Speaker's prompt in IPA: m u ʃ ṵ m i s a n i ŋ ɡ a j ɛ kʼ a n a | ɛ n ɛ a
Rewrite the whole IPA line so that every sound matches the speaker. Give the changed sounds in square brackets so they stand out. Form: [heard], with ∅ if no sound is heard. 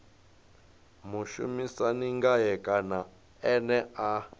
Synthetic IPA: m u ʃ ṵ m i s a n i ŋ ɡ a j ɛ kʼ a n a | ɛ n ɛ a